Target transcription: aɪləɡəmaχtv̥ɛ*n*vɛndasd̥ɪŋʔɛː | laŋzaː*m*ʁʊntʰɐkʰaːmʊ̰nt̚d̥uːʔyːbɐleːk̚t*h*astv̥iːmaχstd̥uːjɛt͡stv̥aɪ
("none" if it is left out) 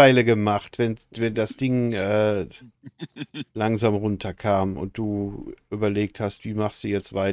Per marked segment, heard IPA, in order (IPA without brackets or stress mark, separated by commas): n, m, h